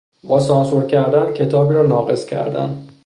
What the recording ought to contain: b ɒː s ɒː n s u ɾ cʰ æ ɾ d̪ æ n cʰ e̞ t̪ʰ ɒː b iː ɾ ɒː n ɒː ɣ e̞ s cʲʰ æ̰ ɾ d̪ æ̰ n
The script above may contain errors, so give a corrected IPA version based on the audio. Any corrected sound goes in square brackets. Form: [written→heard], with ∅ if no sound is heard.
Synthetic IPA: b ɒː s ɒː n s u ɾ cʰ æ ɾ d̪ æ n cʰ e̞ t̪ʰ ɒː b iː ɾ ɒː n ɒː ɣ e̞ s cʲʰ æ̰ ɾ d̪ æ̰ n